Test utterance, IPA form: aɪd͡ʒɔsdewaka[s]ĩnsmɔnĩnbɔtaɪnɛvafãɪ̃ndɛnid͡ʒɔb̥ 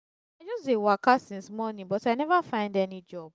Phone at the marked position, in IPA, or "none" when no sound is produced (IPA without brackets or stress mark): s